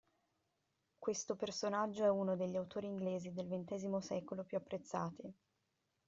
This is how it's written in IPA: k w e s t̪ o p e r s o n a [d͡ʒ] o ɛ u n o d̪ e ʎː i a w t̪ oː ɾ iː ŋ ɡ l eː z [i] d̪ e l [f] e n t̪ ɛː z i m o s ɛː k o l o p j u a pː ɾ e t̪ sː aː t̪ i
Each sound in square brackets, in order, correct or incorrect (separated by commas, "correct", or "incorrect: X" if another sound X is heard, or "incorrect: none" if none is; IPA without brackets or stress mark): incorrect: d͡ʒː, correct, incorrect: v